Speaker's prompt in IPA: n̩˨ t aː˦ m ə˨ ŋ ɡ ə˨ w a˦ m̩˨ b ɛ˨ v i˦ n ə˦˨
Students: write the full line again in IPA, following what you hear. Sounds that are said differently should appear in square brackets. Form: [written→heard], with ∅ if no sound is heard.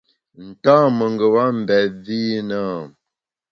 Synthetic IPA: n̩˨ t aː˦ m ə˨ ŋ ɡ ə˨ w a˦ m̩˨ b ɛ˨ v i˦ n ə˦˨

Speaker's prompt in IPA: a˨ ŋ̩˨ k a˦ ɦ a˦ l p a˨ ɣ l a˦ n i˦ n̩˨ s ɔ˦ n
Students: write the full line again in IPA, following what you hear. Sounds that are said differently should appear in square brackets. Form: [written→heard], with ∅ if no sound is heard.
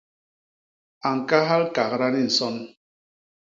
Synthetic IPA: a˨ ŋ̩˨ k a˦ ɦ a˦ l [p→k] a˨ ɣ [l→ɾ] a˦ n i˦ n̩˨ s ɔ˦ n

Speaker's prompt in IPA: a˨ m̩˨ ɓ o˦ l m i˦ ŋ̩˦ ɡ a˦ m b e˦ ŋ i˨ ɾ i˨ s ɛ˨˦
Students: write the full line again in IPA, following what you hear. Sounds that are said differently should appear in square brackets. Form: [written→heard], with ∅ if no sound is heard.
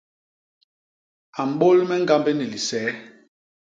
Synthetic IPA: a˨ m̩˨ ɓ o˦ l m [i˦→ɛ˦] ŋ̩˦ ɡ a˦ m b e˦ [ŋ→n] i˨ [ɾ→l] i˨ s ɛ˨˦

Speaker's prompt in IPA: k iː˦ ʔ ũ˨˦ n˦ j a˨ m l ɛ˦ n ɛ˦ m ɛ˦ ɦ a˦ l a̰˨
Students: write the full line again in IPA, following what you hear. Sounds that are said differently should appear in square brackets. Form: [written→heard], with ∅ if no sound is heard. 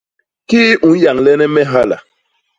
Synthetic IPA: k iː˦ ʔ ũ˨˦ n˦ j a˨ [m→ŋ] l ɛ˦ n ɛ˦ m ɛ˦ ɦ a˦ l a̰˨

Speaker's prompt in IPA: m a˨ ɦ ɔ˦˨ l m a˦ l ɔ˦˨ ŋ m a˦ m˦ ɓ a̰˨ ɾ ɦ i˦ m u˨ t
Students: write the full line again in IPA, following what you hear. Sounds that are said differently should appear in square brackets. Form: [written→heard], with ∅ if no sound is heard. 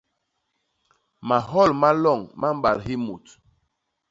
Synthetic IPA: m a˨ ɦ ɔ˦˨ l m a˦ l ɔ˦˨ ŋ m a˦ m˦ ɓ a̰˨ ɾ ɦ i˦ m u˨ t

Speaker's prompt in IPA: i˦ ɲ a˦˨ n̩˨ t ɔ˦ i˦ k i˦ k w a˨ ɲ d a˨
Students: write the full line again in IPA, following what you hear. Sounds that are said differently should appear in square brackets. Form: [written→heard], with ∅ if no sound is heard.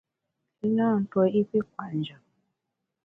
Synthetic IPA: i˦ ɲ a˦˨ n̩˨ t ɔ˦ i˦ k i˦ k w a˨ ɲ [d→d͡ʒ] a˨

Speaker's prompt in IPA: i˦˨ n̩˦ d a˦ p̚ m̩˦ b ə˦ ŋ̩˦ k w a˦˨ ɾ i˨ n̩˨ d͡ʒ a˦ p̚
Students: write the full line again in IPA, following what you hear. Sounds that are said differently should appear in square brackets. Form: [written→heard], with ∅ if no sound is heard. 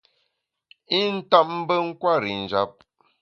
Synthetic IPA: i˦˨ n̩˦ [d→t] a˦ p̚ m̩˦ b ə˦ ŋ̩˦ k w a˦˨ ɾ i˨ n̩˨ d͡ʒ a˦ p̚

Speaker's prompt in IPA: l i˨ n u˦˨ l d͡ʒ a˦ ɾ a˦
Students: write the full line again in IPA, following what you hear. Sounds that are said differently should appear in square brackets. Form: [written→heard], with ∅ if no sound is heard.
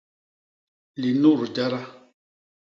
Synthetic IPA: l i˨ n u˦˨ [l→ɾ] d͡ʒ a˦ ɾ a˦

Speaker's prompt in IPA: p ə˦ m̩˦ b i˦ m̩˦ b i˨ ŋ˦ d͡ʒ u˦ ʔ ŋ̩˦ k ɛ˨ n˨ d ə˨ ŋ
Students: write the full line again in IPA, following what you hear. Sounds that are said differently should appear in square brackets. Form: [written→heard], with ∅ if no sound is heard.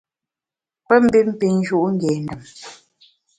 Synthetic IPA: p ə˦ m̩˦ b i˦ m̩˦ [b→p] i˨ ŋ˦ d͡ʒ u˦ ʔ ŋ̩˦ [k→ɡ] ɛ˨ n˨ d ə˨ [ŋ→m]

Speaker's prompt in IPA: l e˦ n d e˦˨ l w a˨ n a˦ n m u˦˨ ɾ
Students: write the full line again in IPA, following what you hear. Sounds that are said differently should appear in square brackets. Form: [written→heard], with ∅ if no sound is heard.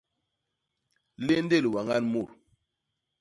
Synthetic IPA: l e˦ n d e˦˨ l w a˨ [n→ŋ] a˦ n m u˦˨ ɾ

